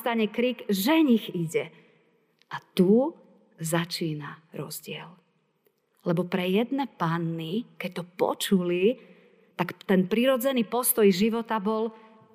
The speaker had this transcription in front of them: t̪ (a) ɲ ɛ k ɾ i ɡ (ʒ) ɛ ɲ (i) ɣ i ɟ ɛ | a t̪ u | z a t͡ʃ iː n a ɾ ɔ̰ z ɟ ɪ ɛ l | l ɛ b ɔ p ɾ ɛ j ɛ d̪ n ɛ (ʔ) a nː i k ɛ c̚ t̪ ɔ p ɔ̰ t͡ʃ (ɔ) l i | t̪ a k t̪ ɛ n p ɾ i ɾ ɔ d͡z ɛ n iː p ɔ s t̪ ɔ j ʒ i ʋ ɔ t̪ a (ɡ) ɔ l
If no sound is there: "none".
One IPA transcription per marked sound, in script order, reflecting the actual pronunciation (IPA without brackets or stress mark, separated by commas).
a, ʒ, i, p, u, b